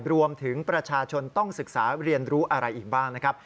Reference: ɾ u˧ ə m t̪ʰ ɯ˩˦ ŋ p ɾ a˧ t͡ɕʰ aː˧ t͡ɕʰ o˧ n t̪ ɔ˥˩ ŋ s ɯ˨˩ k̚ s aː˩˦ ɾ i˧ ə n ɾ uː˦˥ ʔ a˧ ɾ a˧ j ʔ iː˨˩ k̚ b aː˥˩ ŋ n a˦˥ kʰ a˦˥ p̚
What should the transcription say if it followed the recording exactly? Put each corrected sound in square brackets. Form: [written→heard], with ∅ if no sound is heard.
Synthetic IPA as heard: ɾ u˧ ə m t̪ʰ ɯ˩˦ ŋ p ɾ a˧ t͡ɕʰ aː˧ t͡ɕʰ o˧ n t̪ ɔ˥˩ ŋ s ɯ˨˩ k̚ s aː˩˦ ɾ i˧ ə n ɾ uː˦˥ ʔ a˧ ɾ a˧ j ʔ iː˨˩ k̚ b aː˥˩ ŋ n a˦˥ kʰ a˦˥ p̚